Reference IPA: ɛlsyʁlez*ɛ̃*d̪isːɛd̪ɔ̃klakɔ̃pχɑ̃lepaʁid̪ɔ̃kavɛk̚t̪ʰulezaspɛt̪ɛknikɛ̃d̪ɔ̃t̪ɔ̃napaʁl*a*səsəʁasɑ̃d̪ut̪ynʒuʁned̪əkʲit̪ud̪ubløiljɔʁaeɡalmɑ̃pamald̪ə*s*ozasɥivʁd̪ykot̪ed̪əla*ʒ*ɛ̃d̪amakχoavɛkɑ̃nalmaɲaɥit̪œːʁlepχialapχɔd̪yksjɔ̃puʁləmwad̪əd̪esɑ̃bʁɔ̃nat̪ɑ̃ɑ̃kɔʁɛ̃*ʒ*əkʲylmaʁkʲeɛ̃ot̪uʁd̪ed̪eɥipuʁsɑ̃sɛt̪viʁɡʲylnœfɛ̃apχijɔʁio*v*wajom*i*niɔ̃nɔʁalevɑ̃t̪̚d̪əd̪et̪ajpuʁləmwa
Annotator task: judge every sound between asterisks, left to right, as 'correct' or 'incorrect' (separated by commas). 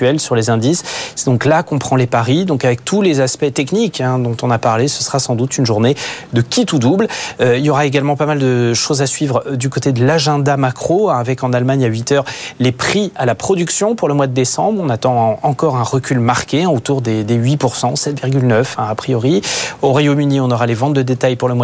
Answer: correct, incorrect, incorrect, correct, incorrect, incorrect, incorrect